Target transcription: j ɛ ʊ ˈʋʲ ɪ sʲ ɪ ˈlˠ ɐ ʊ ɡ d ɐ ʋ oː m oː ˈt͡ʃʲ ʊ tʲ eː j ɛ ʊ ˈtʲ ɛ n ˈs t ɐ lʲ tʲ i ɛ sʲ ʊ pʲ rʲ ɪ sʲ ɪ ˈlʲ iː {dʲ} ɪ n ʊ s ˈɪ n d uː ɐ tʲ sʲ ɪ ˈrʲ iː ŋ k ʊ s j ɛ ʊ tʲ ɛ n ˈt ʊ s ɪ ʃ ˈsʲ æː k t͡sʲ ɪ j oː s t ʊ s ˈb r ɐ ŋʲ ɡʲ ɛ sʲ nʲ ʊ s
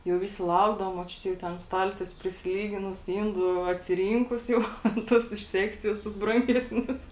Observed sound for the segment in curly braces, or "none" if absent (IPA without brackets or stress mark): ɡʲ